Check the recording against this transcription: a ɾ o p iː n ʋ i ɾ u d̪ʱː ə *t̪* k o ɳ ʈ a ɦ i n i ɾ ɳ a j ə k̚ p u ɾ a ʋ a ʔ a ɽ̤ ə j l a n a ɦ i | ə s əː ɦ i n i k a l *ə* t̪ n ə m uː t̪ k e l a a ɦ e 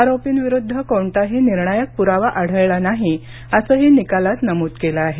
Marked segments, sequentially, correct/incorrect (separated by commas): incorrect, incorrect